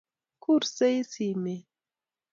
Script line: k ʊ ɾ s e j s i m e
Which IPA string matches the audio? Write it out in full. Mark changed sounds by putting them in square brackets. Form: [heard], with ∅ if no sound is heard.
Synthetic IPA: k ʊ ɾ s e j s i m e